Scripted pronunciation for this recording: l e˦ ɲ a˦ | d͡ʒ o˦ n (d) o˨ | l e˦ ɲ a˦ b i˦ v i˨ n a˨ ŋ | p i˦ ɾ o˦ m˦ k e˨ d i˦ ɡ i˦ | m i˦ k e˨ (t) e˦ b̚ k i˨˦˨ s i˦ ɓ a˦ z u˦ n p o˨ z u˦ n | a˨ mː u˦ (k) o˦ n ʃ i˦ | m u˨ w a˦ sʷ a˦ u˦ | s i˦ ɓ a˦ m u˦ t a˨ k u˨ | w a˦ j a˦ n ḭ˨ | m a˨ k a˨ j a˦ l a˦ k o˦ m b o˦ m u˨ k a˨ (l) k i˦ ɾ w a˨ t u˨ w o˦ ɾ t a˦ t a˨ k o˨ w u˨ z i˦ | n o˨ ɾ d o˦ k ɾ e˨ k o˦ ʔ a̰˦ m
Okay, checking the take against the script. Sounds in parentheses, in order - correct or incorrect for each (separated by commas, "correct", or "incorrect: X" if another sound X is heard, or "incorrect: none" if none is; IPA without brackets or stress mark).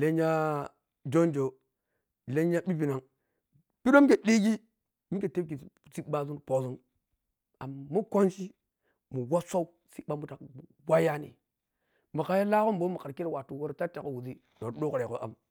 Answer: incorrect: d͡ʒ, correct, correct, incorrect: ɾ